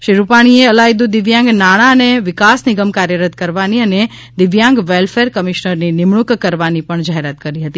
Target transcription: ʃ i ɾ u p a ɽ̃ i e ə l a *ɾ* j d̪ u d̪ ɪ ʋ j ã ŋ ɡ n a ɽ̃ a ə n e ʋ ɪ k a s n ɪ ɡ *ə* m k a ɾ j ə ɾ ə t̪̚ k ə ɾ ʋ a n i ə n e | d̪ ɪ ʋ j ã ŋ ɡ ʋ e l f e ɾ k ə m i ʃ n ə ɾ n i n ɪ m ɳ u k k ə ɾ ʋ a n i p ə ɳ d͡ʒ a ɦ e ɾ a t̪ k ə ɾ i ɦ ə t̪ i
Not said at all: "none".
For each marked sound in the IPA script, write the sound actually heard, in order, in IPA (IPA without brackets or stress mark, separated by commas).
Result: none, ə